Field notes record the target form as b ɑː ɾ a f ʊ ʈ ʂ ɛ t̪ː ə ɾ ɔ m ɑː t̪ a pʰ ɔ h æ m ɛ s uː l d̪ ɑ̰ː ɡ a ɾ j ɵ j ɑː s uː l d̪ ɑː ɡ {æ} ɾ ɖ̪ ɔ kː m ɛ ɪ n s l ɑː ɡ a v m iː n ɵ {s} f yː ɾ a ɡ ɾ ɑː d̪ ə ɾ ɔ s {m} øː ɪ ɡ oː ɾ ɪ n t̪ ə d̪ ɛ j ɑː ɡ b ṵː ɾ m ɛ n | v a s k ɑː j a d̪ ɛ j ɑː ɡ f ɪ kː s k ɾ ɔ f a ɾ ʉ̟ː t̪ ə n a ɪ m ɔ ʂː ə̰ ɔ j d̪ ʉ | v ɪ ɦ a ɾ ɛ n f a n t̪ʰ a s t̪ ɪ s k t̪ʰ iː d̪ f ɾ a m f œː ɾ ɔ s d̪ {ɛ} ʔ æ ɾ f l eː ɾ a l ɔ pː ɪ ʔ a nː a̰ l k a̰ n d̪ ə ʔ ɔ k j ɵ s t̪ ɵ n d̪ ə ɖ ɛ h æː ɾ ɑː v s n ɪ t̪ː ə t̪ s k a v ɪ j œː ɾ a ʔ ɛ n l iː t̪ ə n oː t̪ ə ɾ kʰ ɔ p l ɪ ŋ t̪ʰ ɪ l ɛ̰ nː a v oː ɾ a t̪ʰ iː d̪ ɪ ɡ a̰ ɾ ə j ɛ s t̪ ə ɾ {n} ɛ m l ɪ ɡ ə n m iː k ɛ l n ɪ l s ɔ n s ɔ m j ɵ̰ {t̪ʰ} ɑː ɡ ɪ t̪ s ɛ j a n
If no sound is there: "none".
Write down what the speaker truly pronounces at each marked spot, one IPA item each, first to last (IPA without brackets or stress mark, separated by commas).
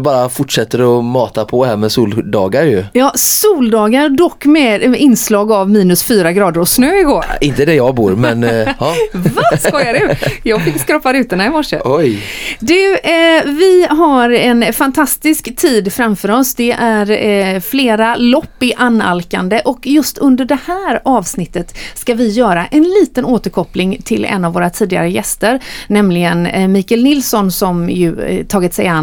a, s, n, ɛ, n, t̪ʰ